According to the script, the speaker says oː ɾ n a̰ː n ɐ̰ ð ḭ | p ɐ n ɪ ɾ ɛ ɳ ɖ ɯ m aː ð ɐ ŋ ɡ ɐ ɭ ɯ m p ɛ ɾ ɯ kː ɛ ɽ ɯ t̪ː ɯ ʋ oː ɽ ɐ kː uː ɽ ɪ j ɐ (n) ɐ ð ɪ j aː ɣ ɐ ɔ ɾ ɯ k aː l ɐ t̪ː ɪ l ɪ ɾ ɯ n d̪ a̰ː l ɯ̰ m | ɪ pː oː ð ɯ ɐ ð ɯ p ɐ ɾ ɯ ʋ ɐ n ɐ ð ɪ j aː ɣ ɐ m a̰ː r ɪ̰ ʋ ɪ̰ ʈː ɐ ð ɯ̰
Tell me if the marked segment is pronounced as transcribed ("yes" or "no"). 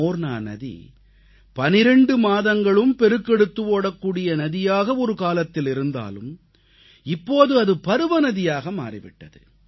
yes